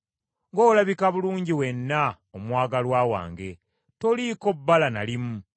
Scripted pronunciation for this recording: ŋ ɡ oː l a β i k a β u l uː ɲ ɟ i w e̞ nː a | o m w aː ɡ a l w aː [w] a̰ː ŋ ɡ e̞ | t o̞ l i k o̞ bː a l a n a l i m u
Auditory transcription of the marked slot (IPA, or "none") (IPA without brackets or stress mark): w